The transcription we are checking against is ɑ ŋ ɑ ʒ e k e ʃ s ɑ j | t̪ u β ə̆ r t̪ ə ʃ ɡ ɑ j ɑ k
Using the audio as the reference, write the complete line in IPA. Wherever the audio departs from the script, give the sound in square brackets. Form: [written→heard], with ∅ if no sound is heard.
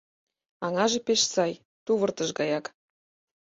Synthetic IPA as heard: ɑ ŋ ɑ ʒ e [k→p] e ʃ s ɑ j | t̪ u β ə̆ r t̪ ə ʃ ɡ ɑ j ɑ k

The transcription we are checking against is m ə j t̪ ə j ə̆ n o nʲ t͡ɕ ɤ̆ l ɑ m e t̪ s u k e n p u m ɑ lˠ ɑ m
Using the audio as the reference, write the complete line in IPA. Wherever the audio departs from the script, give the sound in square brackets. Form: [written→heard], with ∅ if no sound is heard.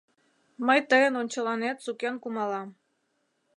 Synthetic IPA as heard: m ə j t̪ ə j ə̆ n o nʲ t͡ɕ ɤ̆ l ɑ [m→n] e t̪ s u k e n [p→k] u m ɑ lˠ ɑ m

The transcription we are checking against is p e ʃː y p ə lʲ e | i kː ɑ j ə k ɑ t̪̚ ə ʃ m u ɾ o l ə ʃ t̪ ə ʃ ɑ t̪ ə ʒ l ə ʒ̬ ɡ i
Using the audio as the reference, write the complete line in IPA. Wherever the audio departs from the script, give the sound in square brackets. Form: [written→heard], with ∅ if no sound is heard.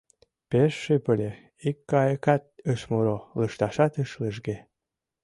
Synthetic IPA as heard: p e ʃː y p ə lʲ e | i kː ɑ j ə k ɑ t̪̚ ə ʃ m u ɾ o l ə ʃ t̪ [ə→ɑ] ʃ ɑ t̪ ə [ʒ→ʃ] l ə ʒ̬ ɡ [i→e]

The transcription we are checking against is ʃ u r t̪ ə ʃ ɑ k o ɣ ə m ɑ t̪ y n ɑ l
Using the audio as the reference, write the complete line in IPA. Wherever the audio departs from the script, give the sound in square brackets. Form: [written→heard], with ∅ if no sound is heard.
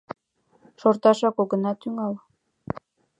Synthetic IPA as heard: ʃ [u→o] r t̪ [ə→ɑ] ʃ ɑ k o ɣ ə [m→n] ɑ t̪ y [n→ŋ] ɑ l

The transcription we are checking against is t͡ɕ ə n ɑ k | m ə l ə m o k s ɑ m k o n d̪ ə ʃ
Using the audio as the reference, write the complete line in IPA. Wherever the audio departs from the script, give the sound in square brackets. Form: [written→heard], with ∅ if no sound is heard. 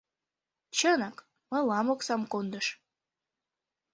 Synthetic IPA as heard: t͡ɕ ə n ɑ k | m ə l [ə→ɑ] m o k s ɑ m k o n d̪ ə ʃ

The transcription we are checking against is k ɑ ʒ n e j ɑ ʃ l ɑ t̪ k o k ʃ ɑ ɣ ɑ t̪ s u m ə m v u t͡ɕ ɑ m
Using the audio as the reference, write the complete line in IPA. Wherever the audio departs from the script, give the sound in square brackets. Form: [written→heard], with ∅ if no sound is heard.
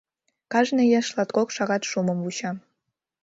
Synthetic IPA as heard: k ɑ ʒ n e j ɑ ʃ l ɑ t̪ k o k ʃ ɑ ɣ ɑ t̪ [s→ʃ] u m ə m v u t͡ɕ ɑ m

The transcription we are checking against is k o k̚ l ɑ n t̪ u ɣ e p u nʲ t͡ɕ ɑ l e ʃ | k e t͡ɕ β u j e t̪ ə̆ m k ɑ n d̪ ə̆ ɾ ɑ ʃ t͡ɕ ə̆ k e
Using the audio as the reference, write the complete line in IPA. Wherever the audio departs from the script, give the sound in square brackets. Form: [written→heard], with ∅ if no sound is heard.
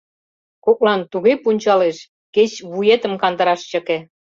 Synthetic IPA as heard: k o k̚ l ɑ n t̪ u ɣ e p u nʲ t͡ɕ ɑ l e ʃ | k e t͡ɕ β u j e t̪ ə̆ m k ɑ n d̪ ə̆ ɾ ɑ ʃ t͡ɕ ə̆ k e

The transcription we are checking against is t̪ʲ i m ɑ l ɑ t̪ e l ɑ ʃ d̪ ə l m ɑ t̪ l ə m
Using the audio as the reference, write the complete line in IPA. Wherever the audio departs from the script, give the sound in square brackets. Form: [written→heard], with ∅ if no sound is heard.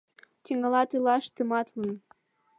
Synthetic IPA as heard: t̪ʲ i [m→ŋ] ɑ l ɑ t̪ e l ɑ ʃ [d̪→t̪] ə [l→∅] m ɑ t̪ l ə [m→n]

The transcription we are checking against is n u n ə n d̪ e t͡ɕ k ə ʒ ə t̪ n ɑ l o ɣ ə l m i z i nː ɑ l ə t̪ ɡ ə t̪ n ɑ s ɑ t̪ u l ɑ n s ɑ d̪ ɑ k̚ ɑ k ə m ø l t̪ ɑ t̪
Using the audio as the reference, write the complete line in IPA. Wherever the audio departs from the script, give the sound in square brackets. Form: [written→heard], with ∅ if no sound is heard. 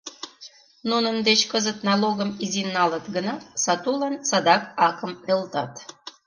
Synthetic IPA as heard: n u n ə n d̪ e t͡ɕ k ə [ʒ→z] ə t̪ n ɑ l o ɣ ə [l→∅] m i z i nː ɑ l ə t̪ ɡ ə [t̪→∅] n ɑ s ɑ t̪ u l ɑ n s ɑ d̪ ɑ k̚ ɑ k ə m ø l t̪ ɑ t̪

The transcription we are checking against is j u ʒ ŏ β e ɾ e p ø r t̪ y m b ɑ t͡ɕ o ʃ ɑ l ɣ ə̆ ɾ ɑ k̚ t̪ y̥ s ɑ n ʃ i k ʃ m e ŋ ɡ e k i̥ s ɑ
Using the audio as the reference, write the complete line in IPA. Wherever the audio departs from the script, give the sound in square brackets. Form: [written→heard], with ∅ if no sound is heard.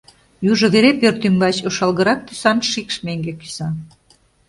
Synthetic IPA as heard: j u ʒ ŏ β e ɾ e p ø r t̪ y m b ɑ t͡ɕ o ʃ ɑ l ɣ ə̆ ɾ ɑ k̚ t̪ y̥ s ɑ n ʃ i k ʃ m e ŋ ɡ e k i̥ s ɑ

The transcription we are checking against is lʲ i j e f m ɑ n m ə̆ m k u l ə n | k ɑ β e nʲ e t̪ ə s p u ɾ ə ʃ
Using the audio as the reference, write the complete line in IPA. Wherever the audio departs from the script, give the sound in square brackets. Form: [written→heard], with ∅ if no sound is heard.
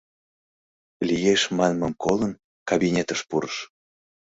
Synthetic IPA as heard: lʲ i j e [f→ʃ] m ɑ n m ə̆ m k [u→o] l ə n | k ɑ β [e→i] nʲ e t̪ ə [s→ʃ] p u ɾ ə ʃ

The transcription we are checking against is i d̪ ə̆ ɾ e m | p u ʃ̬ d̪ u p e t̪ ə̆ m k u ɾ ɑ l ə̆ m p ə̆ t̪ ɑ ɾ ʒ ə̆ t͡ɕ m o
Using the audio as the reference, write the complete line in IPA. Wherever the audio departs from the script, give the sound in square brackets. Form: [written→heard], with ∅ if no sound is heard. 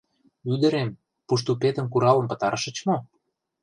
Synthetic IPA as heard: [i→y] d̪ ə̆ ɾ e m | p u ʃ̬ [d̪→t̪] u p e t̪ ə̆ m k u ɾ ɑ l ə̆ m p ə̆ t̪ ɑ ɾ [ʒ→ʃ] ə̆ t͡ɕ m o

